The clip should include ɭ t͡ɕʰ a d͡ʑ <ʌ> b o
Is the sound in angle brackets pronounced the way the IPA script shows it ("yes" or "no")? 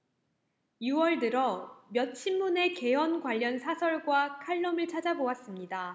no